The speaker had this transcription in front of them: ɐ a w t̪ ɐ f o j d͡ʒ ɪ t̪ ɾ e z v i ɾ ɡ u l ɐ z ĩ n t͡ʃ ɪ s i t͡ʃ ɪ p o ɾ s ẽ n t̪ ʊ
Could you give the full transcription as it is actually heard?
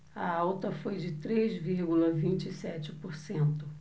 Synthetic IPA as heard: ɐ a w t̪ ɐ f o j d͡ʒ ɪ t̪ ɾ e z v i ɾ ɡ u l ɐ v ĩ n t͡ʃ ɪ s ɛ t͡ʃ ɪ p o ɾ s ẽ n t̪ ʊ